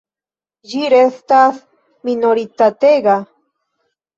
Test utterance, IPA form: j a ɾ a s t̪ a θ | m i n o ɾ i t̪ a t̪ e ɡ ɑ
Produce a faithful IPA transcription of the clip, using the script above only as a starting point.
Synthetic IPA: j i ɾ e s t̪ a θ | m i n o ɾ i t̪ a t̪ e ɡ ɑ